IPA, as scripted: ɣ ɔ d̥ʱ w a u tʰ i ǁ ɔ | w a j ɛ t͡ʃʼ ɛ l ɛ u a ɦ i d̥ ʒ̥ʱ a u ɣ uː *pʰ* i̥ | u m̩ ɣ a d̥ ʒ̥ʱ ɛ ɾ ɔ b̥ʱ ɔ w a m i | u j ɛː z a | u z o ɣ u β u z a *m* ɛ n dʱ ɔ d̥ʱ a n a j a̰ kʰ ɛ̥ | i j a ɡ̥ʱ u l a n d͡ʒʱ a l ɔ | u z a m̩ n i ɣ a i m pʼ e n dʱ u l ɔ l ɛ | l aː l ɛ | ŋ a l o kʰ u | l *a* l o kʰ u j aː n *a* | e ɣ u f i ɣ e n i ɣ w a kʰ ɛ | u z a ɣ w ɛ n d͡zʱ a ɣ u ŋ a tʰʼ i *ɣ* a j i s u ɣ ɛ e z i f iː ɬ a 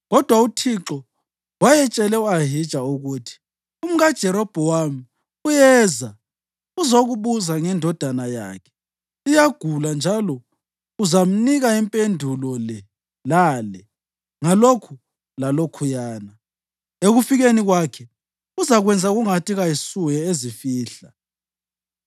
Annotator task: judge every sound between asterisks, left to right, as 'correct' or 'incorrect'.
incorrect: tʰ, incorrect: ŋ, correct, correct, correct

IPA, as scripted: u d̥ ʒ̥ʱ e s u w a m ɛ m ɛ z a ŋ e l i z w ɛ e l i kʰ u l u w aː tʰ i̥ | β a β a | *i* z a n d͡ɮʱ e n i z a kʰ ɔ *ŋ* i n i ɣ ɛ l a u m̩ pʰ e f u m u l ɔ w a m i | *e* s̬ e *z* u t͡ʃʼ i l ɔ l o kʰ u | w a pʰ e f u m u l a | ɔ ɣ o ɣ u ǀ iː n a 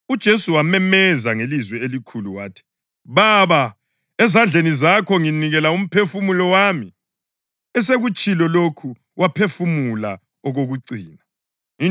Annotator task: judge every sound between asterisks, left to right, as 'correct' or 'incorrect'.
incorrect: ɛ, correct, incorrect: ɛ, incorrect: ɣ

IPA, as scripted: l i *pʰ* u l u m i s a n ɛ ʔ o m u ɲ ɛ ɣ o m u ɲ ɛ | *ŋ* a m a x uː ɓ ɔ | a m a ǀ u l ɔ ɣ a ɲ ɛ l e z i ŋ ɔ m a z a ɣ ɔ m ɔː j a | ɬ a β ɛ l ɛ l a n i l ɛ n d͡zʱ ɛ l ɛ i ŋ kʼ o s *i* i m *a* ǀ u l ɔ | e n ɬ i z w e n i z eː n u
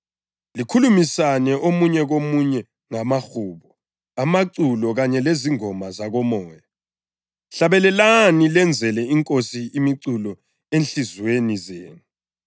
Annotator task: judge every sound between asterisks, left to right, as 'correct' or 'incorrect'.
incorrect: kʰ, correct, correct, incorrect: i

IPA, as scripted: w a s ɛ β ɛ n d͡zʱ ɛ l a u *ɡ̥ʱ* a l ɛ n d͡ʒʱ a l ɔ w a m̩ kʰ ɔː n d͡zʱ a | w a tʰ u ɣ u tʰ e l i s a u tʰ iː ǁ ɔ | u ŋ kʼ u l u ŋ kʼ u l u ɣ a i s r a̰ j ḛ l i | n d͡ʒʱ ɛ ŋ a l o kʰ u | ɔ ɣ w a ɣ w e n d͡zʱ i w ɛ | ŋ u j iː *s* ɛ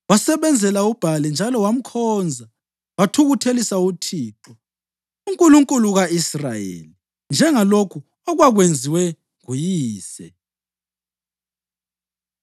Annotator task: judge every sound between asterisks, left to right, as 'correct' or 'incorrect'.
incorrect: b̥ʱ, correct

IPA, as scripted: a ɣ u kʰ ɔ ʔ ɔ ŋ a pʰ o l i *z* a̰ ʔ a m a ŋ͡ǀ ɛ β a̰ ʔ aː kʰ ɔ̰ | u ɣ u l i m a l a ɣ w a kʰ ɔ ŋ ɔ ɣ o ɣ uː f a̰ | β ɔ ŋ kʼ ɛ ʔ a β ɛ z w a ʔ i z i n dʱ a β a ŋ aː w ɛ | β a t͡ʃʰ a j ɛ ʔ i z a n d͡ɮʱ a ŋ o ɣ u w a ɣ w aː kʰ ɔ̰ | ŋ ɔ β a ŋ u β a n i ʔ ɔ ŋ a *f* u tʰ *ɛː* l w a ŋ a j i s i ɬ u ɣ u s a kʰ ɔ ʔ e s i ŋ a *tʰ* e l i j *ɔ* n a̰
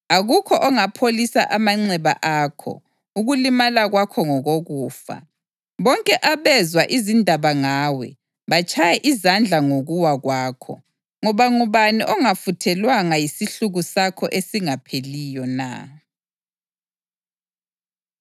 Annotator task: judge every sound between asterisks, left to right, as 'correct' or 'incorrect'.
incorrect: s, correct, incorrect: ɛ, incorrect: pʰ, correct

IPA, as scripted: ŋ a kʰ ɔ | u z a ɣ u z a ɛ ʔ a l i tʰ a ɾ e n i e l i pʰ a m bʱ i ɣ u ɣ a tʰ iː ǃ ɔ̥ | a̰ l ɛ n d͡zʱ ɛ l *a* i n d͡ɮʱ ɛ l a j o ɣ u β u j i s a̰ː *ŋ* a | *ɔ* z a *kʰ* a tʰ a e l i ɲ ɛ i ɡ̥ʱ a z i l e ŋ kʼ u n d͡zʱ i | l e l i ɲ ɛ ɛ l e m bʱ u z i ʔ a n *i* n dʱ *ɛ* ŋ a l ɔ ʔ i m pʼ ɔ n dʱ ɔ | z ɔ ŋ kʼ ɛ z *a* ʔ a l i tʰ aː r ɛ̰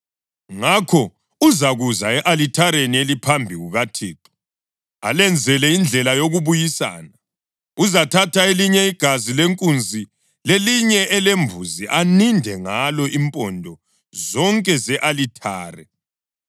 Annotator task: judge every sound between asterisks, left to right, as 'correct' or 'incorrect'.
incorrect: ɛ, incorrect: n, incorrect: u, incorrect: tʰ, correct, correct, incorrect: ɛ

